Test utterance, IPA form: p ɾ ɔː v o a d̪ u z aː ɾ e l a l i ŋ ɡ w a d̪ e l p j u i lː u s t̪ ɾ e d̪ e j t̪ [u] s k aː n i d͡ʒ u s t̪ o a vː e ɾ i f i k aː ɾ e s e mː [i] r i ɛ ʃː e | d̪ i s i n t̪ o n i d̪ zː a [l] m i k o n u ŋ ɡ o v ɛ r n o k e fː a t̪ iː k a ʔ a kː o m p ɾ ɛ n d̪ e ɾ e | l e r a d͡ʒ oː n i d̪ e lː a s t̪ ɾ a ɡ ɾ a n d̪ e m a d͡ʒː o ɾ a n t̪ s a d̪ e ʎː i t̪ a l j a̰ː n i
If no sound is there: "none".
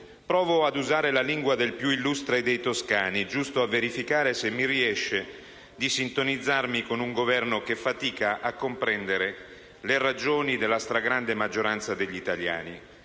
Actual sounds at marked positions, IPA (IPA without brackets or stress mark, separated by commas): o, i, r